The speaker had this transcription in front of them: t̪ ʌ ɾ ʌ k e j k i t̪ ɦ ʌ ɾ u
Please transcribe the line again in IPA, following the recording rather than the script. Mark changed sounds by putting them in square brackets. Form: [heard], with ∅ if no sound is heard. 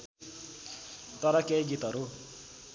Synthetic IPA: t̪ ʌ ɾ ʌ k e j [ɡ] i t̪ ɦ ʌ ɾ u